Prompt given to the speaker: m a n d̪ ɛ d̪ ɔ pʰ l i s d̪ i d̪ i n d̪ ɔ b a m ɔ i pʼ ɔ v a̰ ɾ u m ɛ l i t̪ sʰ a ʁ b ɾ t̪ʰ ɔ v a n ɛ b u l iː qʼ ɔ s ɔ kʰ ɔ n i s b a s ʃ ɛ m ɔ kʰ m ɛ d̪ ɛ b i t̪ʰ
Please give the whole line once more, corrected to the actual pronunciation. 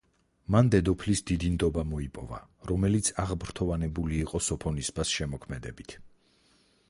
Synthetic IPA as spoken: m a n d̪ ɛ d̪ ɔ pʰ l i s d̪ i d̪ i n d̪ ɔ b a m ɔ i pʼ ɔ v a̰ ɾ ɔ m ɛ l i t̪ sʰ a ʁ b ɾ t̪ʰ ɔ v a n ɛ b u l iː qʼ ɔ s ɔ pʰ ɔ n i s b a s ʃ ɛ m ɔ kʰ m ɛ d̪ ɛ b i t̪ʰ